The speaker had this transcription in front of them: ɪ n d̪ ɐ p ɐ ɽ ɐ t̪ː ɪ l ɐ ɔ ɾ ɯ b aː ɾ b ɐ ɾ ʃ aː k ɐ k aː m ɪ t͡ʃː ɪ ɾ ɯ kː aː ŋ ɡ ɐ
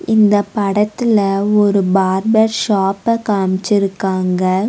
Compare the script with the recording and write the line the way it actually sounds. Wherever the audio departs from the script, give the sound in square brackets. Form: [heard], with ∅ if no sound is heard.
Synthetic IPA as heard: ɪ n d̪ ɐ p ɐ ɽ ɐ t̪ː ɪ l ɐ ɔ ɾ ɯ b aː ɾ b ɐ ɾ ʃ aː [p] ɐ k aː m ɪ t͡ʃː ɪ ɾ ɯ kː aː ŋ ɡ ɐ